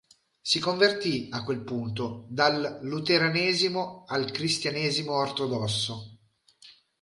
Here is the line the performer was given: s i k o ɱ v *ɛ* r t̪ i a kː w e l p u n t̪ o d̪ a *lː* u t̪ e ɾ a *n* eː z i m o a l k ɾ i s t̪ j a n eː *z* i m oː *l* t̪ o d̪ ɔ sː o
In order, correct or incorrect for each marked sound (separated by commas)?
incorrect, correct, correct, correct, incorrect